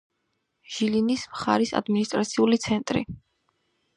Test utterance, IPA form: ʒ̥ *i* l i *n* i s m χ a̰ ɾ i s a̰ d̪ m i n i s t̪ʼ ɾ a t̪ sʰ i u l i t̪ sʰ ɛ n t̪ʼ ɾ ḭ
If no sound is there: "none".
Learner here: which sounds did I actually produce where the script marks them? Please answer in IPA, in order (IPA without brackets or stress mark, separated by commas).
i, n